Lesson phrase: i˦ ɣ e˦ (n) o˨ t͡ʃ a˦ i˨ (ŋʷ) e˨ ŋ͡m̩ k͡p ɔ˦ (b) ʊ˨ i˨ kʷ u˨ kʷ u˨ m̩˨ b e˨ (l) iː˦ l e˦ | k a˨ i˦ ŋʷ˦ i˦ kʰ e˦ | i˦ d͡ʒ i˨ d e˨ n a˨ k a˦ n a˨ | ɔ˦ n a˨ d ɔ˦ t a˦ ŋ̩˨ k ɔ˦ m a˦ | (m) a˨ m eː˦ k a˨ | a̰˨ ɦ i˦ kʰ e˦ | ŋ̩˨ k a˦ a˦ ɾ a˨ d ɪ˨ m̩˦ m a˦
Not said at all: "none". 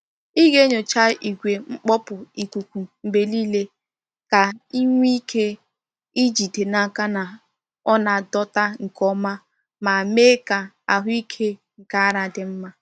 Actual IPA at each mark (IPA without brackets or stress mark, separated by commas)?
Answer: ɲ, ɡʷ, p, l, m